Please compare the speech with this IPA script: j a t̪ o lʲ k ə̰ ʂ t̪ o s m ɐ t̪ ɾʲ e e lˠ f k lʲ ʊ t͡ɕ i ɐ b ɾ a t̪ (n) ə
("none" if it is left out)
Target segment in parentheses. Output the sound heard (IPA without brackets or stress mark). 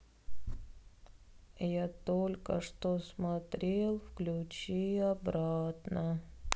n